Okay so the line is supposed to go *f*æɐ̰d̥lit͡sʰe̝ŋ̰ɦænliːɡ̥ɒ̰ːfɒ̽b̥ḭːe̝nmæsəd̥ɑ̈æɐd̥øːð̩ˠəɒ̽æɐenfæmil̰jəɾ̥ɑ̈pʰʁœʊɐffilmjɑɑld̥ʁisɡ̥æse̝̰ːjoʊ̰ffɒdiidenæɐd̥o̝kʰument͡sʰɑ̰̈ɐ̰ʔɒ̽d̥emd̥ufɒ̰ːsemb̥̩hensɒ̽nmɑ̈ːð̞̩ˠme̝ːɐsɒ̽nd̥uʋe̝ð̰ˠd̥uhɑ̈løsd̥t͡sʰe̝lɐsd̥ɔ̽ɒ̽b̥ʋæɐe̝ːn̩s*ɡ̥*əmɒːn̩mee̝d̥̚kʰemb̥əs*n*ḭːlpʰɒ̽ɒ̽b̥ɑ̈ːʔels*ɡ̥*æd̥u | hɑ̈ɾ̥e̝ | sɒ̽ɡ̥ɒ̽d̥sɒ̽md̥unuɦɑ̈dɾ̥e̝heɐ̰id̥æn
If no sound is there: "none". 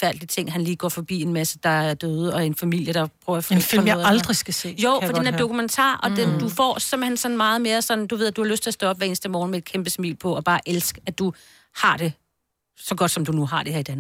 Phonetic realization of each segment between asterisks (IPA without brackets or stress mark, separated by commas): f, d̥, m, ɡ̥